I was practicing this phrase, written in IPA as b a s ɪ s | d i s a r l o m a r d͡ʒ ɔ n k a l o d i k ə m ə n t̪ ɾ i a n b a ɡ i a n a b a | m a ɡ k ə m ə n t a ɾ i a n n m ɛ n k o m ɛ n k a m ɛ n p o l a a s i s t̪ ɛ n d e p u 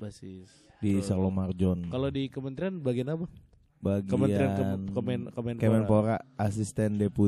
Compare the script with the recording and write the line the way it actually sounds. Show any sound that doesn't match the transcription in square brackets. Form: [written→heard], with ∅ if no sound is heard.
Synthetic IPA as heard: b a s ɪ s | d i s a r l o m a r d͡ʒ ɔ n k a l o d i k ə m ə n t̪ ɾ i a n b a ɡ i a n a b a | [m→b] a ɡ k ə m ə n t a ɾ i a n n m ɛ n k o m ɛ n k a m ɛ n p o [l→ɾ] a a s i s t̪ ɛ n d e p u